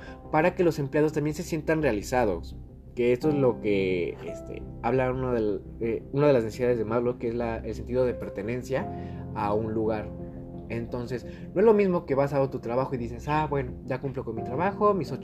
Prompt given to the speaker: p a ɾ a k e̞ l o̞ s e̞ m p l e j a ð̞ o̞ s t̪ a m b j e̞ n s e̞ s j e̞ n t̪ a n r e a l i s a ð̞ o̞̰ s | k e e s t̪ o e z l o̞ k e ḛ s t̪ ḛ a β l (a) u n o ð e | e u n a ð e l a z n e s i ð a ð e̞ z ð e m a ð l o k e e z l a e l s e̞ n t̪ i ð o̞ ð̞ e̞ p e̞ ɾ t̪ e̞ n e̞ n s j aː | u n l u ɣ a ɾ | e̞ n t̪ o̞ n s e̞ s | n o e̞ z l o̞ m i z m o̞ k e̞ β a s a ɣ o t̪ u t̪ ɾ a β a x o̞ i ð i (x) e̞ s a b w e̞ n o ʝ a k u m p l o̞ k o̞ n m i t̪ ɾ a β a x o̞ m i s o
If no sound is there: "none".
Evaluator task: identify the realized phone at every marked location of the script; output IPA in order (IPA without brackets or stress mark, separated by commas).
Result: a, s